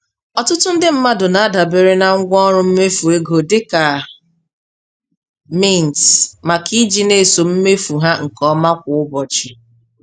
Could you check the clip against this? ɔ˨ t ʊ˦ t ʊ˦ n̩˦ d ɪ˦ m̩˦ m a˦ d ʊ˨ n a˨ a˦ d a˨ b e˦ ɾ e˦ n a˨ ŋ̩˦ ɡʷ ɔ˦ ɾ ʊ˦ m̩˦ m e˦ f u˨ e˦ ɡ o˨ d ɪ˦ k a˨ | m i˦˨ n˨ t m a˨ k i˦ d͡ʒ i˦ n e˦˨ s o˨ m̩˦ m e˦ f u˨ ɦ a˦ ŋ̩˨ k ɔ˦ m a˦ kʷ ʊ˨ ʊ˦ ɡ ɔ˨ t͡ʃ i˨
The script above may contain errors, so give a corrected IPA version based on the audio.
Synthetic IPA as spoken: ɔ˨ t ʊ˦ t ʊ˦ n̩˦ d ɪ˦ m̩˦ m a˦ d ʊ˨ n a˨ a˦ d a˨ b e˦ ɾ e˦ n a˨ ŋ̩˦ ɡʷ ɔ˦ ɾ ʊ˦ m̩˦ m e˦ f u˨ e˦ ɡ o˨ d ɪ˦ k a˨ | m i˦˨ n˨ t m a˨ k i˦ d͡ʒ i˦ n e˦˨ s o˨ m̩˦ m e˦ f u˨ ɦ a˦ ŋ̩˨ k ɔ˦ m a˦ kʷ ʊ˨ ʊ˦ b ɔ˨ t͡ʃ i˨